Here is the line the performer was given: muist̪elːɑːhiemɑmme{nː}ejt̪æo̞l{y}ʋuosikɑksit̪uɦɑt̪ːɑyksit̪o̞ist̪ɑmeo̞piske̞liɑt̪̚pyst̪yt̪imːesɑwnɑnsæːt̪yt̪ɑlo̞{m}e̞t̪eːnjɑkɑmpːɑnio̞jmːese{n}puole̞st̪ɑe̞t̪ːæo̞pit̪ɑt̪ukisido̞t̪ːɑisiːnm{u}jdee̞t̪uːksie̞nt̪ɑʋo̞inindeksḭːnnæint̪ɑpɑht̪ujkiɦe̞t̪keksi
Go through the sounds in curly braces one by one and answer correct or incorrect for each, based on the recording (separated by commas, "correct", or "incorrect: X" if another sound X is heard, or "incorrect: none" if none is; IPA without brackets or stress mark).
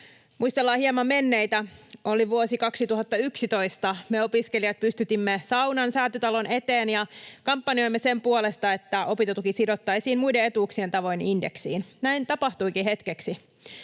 correct, incorrect: i, incorrect: n, incorrect: m, correct